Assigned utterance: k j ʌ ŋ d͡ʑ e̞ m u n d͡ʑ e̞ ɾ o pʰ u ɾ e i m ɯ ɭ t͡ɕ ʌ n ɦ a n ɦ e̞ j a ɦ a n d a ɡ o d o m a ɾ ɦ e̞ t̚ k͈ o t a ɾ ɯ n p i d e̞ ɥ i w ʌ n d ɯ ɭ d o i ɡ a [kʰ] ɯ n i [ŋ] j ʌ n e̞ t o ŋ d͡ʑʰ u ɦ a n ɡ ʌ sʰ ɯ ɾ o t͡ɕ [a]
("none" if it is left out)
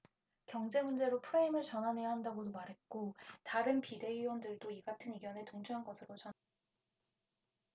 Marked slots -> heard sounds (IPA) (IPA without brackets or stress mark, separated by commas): tʰ, ɡ, ʌ